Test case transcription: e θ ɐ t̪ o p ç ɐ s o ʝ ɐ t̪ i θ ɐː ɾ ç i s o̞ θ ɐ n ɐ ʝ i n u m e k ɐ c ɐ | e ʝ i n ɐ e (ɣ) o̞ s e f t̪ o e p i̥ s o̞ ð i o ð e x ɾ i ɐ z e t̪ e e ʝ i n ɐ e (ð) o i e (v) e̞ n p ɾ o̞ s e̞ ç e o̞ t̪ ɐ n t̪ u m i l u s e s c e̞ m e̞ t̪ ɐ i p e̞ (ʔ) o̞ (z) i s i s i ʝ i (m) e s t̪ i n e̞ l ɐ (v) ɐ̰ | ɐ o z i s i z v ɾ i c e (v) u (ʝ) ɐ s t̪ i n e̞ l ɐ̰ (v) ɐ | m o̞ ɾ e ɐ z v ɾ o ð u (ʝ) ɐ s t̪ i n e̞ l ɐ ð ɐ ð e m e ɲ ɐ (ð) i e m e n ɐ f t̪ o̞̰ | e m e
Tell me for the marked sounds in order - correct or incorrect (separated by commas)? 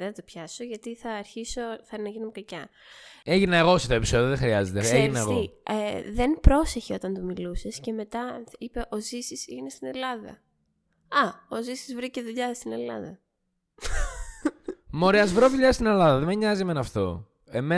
correct, incorrect, incorrect, correct, correct, incorrect, incorrect, incorrect, incorrect, incorrect, incorrect, incorrect